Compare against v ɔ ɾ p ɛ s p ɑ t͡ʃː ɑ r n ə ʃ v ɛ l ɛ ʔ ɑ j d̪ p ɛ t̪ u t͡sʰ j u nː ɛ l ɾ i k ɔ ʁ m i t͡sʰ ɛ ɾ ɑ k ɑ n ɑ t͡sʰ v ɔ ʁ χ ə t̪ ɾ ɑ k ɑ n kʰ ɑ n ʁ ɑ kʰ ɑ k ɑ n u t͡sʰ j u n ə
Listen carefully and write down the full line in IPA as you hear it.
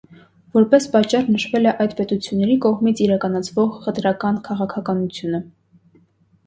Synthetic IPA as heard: v ɔ ɾ p ɛ s p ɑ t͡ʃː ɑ r n ə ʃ v ɛ l ɛ ʔ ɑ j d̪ p ɛ t̪ u t͡sʰ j u nː ɛ ɾ i k ɔ ʁ m i t͡sʰ i ɾ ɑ k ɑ n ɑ t͡sʰ v ɔ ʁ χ ə t̪ ɾ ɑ k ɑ n kʰ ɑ ʁ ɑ kʰ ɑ k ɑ n u t͡sʰ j u n ə